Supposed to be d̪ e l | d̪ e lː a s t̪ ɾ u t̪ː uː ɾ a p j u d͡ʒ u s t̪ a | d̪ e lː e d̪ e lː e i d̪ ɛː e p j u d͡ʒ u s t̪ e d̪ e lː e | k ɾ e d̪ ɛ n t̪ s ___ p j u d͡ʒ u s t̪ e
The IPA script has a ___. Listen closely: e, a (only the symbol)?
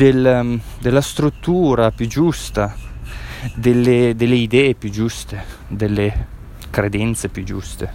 e